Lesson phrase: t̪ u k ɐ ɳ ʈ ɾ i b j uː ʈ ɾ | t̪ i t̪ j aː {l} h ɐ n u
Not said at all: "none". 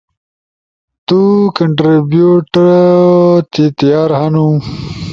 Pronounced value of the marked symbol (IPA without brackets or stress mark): ɾ